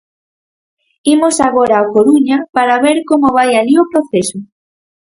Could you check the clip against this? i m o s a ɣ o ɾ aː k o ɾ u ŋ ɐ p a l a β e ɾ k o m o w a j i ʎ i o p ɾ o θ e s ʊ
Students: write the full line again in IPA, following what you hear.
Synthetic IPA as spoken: i m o s a ɣ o ɾ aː k o ɾ u ɲ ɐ p a ɾ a β e ɾ k o m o β a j a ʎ i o p ɾ o θ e s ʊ